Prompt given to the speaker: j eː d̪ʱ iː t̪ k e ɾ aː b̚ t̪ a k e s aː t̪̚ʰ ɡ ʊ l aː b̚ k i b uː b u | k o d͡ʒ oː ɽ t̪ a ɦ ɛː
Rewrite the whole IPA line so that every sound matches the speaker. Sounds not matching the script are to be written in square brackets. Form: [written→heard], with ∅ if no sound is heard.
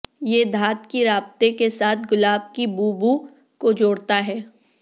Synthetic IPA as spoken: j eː d̪ʱ [iː→aː] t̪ k [e→i] ɾ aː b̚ t̪ [a→e] k e s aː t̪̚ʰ ɡ ʊ l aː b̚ k i b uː b u | k o d͡ʒ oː ɽ t̪ a ɦ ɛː